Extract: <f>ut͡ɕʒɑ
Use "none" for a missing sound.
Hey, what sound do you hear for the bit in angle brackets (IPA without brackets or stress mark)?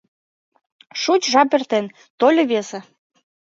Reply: ʃ